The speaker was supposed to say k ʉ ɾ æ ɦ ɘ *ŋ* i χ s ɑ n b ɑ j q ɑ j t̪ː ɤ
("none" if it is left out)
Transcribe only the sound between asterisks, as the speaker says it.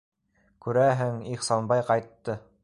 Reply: ŋ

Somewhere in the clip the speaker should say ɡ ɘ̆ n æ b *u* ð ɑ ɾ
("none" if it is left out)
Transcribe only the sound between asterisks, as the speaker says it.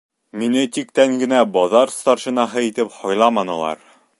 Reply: ɒ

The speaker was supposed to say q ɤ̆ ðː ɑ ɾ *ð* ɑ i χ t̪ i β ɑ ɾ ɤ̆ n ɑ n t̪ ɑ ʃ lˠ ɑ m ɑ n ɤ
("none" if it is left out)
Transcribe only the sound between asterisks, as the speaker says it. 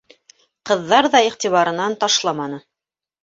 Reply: ð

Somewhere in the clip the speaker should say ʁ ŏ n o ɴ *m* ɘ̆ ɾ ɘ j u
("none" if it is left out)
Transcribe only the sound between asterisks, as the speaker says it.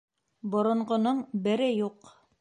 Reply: b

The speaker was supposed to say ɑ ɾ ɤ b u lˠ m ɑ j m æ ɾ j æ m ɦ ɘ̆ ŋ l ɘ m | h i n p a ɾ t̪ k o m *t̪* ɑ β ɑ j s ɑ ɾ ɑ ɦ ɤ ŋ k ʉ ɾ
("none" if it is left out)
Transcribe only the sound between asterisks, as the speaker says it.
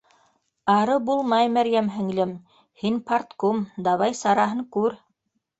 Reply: d̪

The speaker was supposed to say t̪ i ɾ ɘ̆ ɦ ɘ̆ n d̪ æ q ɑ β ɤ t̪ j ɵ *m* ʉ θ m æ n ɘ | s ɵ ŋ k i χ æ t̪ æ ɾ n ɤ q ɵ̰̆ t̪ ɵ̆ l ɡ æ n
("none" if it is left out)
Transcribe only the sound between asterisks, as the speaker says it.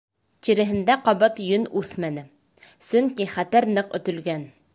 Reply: n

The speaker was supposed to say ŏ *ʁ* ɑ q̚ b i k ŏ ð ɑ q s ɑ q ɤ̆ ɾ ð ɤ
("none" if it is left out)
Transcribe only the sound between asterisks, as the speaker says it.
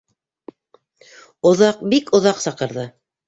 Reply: ð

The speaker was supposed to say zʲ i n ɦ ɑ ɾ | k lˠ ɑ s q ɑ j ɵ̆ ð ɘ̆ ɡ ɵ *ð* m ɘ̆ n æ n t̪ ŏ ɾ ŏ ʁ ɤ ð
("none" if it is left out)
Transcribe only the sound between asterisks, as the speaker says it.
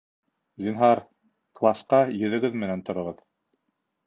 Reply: ð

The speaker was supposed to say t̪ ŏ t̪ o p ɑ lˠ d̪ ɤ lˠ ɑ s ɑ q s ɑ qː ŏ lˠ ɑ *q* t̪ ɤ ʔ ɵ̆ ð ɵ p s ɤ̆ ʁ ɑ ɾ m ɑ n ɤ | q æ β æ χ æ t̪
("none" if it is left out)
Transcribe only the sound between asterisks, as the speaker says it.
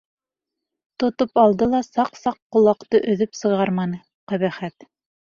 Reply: q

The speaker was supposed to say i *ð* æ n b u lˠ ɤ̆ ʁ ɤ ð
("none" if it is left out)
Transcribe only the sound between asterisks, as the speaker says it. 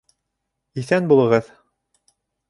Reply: θ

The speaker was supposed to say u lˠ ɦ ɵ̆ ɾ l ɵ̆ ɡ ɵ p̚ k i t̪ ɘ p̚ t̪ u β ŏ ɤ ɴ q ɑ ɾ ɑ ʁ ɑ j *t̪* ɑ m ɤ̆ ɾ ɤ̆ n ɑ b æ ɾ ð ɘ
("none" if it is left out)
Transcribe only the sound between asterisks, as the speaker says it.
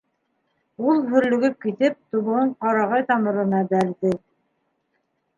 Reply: t̪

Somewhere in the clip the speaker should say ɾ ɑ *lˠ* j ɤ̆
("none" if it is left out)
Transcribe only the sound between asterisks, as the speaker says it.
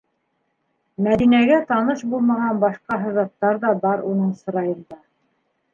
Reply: none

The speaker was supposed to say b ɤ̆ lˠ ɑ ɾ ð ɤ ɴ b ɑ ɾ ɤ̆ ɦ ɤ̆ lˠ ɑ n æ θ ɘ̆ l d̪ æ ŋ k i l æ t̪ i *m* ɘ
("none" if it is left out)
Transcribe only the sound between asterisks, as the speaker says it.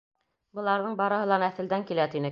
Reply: n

